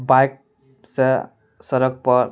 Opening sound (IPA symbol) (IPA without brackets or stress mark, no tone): b